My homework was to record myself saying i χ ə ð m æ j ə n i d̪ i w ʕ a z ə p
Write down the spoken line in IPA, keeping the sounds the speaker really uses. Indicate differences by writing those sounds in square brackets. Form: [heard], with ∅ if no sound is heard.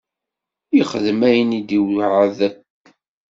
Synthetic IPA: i χ ə ð m æ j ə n i d̪ i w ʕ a [ð] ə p